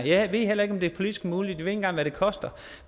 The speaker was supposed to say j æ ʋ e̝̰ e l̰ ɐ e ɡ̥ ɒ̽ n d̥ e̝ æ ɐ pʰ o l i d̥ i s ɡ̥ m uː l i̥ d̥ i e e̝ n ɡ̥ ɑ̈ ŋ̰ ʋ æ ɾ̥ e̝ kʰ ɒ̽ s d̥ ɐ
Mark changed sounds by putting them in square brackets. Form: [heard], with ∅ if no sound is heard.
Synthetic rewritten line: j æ ʋ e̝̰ e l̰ ɐ e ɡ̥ ɒ̽ [m] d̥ e̝ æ ɐ pʰ o l i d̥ i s ɡ̥ m uː l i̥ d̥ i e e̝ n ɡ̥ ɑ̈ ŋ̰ ʋ æ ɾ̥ e̝ kʰ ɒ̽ s d̥ ɐ